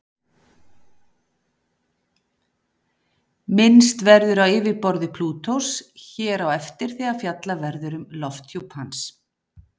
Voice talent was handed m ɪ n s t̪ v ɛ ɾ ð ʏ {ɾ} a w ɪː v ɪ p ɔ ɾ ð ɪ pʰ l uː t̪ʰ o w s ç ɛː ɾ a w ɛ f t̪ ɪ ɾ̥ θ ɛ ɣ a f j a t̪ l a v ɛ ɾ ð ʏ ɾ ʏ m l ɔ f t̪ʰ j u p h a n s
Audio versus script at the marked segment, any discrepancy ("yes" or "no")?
no